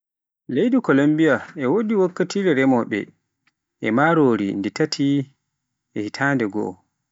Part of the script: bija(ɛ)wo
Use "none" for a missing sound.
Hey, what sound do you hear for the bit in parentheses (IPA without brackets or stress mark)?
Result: ɛ